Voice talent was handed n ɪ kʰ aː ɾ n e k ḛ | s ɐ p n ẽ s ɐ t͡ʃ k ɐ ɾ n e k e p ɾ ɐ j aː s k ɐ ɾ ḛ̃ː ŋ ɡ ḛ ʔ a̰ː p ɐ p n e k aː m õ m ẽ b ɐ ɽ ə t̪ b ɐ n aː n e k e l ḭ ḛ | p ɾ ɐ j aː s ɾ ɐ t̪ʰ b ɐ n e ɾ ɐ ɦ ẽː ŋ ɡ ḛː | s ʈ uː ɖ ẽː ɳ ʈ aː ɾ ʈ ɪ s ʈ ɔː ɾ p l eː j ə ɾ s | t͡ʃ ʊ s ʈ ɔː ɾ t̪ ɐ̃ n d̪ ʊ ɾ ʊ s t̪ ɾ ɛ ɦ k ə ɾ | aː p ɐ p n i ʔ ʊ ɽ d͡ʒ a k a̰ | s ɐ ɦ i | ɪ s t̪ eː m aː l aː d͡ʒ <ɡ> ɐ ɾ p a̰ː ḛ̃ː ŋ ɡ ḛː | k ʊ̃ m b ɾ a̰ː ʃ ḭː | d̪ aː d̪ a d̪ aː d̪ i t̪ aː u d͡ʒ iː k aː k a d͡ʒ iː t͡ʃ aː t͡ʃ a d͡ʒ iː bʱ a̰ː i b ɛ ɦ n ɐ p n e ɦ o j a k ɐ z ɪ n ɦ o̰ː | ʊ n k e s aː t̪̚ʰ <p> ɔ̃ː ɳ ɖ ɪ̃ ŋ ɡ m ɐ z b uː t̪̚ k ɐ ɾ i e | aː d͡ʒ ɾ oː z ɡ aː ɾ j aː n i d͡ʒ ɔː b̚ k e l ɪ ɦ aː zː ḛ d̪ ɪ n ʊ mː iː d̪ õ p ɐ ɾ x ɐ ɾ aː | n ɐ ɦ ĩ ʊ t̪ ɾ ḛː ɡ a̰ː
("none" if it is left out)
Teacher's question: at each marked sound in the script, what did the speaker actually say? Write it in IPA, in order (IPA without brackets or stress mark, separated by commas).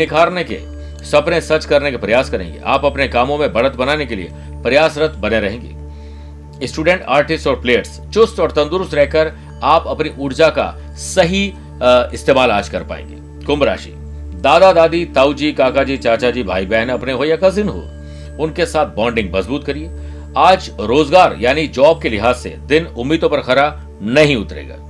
k, b